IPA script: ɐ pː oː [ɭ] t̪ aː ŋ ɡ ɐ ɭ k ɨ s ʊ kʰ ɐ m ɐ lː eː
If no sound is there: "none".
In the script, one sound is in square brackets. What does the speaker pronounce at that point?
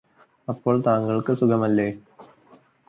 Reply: ɭ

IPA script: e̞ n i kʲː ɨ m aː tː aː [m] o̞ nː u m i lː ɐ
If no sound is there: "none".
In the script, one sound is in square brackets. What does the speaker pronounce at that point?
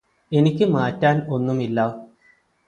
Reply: n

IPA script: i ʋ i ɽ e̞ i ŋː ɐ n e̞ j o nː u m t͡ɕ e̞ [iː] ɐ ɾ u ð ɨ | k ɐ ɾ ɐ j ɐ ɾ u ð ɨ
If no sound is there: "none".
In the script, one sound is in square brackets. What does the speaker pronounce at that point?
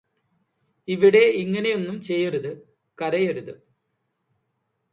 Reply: jː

